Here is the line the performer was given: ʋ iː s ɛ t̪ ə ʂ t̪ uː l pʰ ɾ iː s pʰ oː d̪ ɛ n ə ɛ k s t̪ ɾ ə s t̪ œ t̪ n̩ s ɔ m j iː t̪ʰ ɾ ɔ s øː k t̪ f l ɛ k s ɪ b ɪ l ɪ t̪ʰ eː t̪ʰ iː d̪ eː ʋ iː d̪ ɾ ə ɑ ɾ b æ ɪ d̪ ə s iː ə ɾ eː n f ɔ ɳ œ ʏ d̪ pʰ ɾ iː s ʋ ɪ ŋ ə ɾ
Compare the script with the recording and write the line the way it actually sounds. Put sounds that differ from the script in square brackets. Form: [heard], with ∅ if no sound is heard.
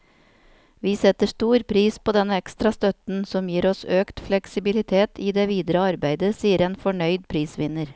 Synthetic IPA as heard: ʋ iː s ɛ t̪ ə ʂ t̪ uː [ɾ] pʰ ɾ iː s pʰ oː d̪ ɛ n ə ɛ k s t̪ ɾ [ɑ] s t̪ œ t̪ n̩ s ɔ m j iː [∅] ɾ ɔ s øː k t̪ f l ɛ k s ɪ b ɪ l ɪ t̪ʰ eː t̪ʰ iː d̪ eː ʋ iː d̪ ɾ ə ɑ ɾ b æ ɪ d̪ ə s iː ə ɾ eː n f ɔ ɳ œ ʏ d̪ pʰ ɾ iː s ʋ ɪ [n] ə ɾ